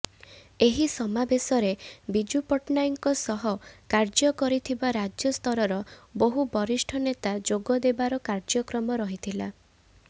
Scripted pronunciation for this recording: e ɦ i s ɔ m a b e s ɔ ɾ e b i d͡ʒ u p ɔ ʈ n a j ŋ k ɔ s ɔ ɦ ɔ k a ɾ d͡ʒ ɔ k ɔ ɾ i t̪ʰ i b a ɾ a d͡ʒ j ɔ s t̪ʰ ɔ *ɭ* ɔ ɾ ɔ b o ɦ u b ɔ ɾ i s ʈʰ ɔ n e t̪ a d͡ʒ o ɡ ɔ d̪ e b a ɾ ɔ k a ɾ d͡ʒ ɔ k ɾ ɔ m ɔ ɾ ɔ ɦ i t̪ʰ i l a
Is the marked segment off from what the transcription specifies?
yes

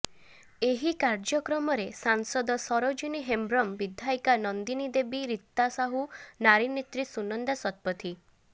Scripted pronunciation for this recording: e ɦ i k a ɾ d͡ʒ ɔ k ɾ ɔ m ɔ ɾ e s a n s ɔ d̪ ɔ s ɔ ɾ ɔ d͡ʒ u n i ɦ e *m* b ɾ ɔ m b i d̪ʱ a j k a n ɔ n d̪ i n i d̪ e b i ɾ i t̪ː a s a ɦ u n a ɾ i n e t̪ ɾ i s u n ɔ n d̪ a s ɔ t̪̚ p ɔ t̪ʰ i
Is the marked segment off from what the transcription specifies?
no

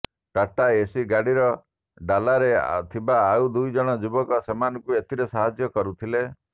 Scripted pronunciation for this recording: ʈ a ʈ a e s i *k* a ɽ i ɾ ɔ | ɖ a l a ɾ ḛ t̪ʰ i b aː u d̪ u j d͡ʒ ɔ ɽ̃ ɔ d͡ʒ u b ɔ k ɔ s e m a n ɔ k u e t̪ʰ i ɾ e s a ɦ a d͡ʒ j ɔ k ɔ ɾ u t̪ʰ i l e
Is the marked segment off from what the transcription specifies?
yes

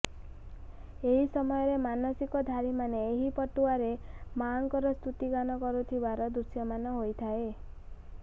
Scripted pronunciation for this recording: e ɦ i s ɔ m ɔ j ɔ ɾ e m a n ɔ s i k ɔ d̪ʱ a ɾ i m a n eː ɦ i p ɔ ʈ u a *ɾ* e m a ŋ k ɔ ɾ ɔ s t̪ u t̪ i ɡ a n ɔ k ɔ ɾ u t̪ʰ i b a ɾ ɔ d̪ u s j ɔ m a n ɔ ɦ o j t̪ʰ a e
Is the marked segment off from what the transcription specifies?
no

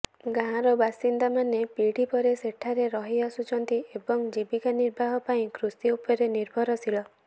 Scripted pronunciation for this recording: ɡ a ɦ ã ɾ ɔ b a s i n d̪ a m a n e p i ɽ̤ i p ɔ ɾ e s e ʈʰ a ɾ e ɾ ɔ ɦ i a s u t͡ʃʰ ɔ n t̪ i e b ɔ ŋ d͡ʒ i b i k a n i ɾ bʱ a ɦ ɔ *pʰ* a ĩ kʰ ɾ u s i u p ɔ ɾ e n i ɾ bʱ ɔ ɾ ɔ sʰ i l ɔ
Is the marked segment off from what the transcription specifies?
yes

